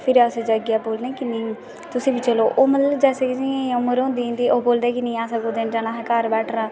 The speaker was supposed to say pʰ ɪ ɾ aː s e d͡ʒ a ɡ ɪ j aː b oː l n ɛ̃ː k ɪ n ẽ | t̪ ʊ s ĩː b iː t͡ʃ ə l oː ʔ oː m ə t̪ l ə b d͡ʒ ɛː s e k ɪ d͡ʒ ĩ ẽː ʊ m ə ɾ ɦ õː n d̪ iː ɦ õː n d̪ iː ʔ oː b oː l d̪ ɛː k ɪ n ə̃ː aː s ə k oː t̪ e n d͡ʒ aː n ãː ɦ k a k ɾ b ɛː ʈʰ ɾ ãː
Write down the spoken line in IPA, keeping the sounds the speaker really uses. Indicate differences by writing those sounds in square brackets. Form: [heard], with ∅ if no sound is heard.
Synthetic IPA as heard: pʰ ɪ ɾ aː s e d͡ʒ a ɡ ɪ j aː b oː l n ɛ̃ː k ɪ n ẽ | t̪ ʊ s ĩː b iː t͡ʃ ə l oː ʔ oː m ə t̪ l ə b d͡ʒ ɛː s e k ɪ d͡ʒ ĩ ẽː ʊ m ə ɾ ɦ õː n d̪ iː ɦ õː n d̪ iː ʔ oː b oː l d̪ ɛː k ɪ n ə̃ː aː s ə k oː [d̪] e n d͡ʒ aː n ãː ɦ k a [∅] ɾ b ɛː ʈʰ ɾ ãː